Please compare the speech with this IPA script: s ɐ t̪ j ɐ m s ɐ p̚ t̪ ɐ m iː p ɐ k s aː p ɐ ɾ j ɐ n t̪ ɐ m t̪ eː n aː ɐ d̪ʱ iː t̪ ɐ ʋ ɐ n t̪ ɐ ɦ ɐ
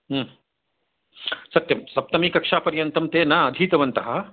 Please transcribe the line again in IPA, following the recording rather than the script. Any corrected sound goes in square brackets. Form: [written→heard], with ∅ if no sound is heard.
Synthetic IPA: s ɐ t̪ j ɐ m s ɐ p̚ t̪ ɐ m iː [p→k] ɐ k [s→ʂ] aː p ɐ ɾ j ɐ n t̪ ɐ m t̪ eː n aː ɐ d̪ʱ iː t̪ ɐ ʋ ɐ n t̪ ɐ ɦ ɐ